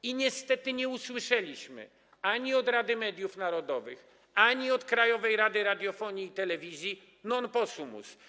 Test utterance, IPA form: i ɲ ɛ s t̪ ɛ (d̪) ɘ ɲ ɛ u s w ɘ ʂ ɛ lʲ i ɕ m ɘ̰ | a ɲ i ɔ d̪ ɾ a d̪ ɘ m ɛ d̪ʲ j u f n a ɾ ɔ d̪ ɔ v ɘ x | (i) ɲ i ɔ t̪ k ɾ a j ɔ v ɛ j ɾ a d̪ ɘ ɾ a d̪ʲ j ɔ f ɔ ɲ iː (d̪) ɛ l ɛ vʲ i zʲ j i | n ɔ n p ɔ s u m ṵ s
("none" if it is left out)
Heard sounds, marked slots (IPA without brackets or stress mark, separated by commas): t̪, a, t̪